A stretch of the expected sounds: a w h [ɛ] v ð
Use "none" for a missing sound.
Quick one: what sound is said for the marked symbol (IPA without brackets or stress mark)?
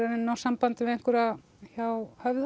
œ